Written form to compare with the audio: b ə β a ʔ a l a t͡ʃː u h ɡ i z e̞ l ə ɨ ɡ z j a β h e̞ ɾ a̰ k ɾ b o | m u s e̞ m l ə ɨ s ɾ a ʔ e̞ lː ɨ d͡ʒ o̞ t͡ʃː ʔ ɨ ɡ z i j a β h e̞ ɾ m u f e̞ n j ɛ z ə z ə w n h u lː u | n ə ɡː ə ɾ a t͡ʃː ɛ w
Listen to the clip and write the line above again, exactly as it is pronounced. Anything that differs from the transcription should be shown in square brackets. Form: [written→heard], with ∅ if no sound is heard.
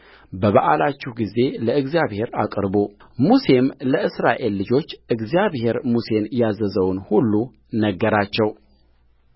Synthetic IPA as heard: b ə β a ʔ a l a t͡ʃː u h ɡ i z e̞ l ə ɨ ɡ z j a β h e̞ ɾ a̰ [k→kʼ] ɾ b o | m u s e̞ m l ə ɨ s ɾ a ʔ e̞ lː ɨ d͡ʒ o̞ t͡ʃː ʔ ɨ ɡ z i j a β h e̞ ɾ m u [f→s] e̞ n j [ɛ→a] z ə z ə w n h u lː u | n ə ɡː ə ɾ a t͡ʃː ɛ w